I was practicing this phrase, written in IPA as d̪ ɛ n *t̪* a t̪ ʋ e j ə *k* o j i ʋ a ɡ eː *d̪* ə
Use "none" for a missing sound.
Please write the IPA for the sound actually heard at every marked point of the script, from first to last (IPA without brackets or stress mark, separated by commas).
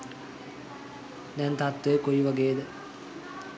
t̪, k, d̪